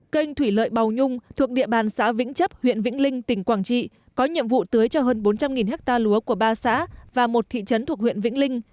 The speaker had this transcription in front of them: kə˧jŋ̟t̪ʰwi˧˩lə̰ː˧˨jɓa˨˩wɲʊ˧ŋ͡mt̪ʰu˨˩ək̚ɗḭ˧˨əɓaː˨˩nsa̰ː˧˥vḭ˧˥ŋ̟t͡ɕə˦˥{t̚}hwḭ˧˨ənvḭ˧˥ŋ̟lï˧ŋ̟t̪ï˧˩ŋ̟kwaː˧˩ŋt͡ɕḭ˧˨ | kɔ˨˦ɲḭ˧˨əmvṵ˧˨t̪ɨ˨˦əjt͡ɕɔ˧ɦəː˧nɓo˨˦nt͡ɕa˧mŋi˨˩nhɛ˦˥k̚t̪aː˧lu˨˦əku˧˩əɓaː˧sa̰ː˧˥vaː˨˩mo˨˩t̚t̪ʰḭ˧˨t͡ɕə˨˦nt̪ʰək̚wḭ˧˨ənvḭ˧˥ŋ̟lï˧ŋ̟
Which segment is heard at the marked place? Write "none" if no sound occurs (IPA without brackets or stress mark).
p̚